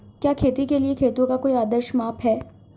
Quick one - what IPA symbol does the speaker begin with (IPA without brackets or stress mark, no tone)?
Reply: k